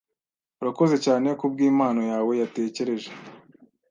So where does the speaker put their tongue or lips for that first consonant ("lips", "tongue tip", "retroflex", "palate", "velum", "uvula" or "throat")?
tongue tip